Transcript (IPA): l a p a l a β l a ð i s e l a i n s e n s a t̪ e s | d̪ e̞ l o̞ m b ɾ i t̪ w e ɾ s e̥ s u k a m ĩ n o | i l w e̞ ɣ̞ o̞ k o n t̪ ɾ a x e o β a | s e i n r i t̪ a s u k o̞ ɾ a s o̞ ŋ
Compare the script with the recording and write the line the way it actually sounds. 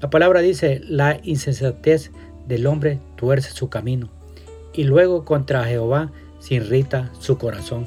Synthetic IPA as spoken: l a p a l a β ɾ a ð i s e l a i n s e n s a t̪ e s | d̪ e̞ l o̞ m b ɾ e t̪ w e ɾ s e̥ s u k a m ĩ n o | i l w e̞ ɣ̞ o̞ k o n t̪ ɾ a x e o β a | s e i n r i t̪ a s u k o̞ ɾ a s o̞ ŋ